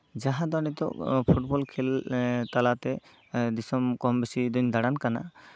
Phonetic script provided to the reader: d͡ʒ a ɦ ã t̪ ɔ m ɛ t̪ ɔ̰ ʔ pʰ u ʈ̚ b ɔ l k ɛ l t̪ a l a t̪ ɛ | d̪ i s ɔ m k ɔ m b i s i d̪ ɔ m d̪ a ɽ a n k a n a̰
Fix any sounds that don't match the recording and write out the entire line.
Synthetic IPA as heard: d͡ʒ a ɦ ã d̪ ɔ n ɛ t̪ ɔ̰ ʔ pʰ u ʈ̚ b ɔ l kʰ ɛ l t̪ a l a t̪ ɛ | d̪ i s ɔ m k ɔ m b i s i d̪ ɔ ɲ d̪ a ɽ a n k a n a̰